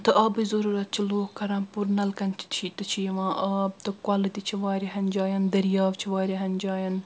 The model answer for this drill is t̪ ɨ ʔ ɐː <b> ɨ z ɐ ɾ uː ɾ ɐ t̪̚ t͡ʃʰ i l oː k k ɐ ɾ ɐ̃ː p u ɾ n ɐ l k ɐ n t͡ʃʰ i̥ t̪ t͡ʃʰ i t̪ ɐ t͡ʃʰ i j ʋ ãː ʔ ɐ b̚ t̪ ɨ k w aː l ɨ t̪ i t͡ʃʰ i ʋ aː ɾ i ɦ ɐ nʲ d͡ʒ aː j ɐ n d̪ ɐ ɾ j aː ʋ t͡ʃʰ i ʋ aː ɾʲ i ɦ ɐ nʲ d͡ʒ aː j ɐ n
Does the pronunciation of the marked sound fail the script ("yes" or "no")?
no